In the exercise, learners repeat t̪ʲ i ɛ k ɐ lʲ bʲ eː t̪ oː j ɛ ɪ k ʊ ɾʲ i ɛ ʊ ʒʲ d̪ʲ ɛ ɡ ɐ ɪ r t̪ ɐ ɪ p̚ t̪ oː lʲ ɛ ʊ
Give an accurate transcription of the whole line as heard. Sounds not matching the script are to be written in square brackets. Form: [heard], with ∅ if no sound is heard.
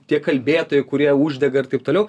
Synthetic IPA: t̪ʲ i ɛ k ɐ lʲ bʲ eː t̪ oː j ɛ ɪ k ʊ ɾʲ i ɛ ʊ ʒʲ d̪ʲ ɛ ɡ ɐ ɪ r t̪ ɐ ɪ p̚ t̪ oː lʲ ɛ ʊ